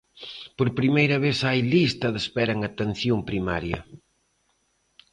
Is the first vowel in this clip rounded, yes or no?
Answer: yes